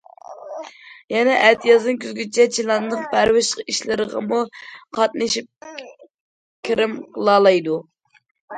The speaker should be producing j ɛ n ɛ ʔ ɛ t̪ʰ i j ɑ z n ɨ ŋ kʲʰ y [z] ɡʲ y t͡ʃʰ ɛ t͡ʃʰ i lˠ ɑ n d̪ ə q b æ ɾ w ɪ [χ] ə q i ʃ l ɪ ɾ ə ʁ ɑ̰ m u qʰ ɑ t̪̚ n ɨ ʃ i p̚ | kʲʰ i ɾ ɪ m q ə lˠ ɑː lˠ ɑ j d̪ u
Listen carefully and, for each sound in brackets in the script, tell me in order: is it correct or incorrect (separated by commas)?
correct, incorrect